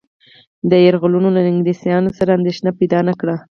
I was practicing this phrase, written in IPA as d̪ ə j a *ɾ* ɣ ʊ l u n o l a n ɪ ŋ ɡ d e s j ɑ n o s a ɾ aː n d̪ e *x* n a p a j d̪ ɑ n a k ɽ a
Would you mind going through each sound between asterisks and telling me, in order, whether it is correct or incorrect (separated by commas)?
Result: correct, incorrect